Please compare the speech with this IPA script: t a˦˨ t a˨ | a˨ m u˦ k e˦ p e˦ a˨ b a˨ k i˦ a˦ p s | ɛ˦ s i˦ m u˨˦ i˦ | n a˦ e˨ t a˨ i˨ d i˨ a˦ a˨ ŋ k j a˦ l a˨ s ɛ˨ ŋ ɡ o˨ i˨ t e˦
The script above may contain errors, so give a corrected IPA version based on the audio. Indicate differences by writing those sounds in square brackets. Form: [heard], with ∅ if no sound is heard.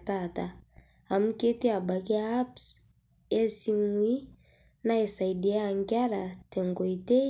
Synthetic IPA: t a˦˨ t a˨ | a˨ m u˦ k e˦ [t] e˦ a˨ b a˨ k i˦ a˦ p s | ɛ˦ s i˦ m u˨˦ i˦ | n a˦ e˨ [s] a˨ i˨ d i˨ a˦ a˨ ŋ [ɡ] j a˦ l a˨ [t] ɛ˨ ŋ ɡ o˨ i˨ t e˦